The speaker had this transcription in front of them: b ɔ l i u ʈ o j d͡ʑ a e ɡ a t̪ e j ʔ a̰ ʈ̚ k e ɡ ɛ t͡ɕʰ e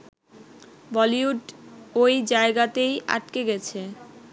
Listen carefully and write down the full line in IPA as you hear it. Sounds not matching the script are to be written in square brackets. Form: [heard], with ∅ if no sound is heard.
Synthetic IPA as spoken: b ɔ l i u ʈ o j d͡ʑ a e ɡ a t̪ e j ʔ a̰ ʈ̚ k e ɡ ɛ t͡ɕʰ e